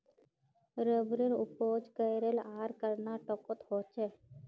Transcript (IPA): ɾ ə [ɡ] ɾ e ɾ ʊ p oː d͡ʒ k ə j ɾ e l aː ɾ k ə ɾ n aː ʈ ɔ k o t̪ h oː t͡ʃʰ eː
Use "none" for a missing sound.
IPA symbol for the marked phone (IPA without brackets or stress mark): b